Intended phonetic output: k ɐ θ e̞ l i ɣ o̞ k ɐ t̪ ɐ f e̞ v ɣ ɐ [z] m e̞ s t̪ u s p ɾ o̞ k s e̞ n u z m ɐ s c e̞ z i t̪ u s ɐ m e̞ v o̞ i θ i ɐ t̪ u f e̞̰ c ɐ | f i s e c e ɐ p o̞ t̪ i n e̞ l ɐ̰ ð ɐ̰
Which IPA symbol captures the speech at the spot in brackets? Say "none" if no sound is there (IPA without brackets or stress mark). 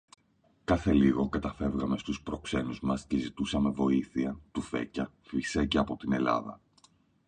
none